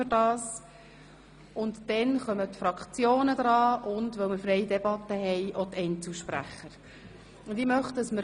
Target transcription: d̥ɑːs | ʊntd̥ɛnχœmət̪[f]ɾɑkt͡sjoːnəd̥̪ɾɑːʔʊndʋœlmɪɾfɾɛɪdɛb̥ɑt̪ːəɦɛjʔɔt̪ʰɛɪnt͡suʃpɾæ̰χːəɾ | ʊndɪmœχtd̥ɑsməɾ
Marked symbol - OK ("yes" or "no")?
yes